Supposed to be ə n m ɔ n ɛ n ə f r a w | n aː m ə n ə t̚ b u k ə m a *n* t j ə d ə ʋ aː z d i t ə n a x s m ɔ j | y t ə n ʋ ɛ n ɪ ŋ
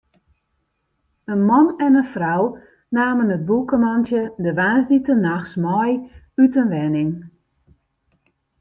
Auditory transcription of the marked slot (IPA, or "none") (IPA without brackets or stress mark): n